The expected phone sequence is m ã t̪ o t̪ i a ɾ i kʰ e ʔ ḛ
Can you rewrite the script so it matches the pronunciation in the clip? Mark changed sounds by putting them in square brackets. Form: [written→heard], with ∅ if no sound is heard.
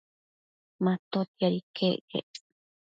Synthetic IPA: m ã t̪ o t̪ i a ɾ i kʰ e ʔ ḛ